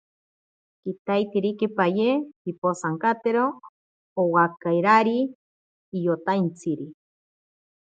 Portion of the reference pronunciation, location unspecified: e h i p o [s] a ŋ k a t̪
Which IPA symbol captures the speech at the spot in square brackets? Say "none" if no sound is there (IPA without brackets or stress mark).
s